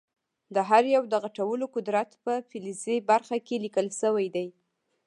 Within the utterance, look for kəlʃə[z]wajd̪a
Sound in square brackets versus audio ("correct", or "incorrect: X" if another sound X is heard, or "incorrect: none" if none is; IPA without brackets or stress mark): incorrect: none